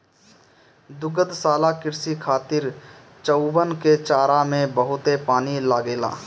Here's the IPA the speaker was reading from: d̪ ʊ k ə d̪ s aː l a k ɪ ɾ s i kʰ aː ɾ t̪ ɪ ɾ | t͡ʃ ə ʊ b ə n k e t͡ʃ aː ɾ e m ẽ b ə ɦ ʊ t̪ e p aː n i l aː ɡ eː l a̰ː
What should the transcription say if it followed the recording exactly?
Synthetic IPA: d̪ ʊ ɡ ə d̪ s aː l a k ɪ ɾ s i kʰ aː t̪ ɪ ɾ | t͡ʃ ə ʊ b ə n k e t͡ʃ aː ɾ a m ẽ b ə ɦ ʊ t̪ e p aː n i l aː ɡ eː l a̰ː